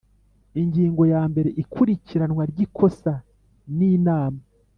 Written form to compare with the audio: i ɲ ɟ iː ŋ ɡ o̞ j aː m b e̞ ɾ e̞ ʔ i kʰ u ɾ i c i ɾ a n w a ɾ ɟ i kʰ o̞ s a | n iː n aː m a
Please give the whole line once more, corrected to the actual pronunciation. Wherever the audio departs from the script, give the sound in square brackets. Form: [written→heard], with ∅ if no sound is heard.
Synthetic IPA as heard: i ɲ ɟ iː ŋ ɡ o̞ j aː m b e̞ ɾ e̞ ʔ i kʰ u ɾ i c i ɾ a n w a ɾ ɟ i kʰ o̞ s a | n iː n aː m a